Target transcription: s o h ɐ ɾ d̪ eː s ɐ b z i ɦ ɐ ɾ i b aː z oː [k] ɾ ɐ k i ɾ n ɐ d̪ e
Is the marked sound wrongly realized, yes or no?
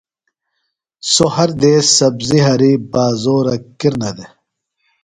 yes